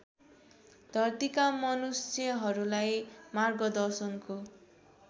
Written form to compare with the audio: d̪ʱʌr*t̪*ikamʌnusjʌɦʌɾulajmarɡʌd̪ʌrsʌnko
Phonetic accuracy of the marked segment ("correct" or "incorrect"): correct